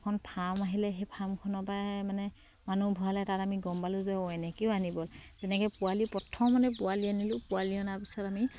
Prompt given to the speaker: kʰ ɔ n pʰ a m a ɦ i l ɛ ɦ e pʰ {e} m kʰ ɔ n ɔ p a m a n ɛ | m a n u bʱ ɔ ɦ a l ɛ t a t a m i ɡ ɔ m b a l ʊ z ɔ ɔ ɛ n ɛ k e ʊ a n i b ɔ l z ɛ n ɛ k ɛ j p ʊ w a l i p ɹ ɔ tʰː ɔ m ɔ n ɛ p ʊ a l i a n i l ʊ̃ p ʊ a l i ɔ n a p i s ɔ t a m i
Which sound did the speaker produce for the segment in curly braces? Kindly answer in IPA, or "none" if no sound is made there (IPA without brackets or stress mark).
a